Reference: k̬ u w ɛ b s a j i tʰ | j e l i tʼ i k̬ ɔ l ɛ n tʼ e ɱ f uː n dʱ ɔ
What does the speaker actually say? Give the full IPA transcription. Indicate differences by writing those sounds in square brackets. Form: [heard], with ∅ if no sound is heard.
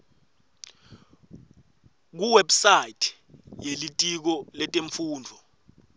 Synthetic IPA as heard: k̬ u w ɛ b s a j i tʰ | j e l i tʼ i k̬ ɔ l ɛ [∅] tʼ e ɱ f uː n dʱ ɔ